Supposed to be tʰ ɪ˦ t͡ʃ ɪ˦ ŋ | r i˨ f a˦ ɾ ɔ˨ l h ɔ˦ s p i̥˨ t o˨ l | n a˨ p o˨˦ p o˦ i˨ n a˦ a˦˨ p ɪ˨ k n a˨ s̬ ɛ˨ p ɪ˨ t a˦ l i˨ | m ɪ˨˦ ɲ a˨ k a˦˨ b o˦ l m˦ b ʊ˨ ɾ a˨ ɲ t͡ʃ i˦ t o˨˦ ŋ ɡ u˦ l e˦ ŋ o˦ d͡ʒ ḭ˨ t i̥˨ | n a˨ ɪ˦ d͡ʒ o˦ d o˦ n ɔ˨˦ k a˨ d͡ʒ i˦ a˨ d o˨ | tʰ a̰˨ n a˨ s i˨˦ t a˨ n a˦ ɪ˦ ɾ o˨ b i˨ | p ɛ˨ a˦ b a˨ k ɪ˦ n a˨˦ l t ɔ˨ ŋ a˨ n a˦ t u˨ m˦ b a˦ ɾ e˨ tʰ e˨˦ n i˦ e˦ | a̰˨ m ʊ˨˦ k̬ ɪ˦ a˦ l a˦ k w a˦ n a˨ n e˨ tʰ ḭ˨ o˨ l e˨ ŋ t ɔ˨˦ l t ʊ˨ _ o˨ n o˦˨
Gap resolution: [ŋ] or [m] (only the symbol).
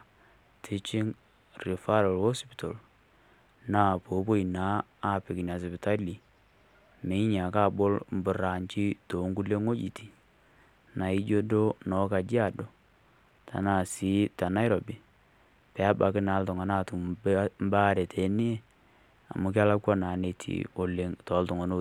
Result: ŋ